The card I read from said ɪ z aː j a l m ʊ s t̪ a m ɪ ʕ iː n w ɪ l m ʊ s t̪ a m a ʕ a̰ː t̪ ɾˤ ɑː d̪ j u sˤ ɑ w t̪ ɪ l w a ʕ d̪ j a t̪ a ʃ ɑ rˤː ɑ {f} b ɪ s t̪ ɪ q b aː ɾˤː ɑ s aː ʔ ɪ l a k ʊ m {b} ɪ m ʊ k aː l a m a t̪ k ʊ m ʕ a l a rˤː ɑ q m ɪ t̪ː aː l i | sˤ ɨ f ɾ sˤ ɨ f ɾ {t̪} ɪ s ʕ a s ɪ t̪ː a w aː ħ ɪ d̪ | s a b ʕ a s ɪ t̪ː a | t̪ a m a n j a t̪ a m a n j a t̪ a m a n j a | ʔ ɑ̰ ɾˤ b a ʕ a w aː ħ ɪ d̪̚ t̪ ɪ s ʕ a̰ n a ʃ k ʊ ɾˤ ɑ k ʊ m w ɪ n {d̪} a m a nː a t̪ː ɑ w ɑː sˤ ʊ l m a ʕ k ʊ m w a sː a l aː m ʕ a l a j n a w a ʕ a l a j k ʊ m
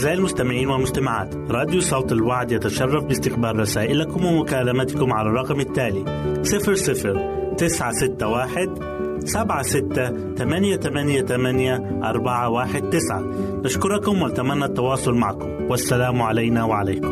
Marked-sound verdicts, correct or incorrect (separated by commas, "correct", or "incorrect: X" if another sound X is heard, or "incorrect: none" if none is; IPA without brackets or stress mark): correct, incorrect: w, correct, incorrect: t̪